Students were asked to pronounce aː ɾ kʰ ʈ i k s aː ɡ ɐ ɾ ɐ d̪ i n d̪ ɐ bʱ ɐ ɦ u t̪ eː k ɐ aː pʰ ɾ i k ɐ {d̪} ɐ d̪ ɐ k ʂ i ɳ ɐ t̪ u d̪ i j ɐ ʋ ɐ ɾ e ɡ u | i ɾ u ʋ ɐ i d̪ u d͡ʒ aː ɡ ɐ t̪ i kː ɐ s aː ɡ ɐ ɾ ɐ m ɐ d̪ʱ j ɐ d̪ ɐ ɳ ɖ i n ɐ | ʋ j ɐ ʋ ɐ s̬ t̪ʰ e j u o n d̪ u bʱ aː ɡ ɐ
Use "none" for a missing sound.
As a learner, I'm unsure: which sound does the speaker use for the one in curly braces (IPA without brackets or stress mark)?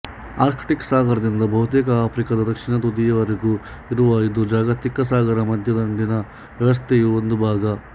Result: d̪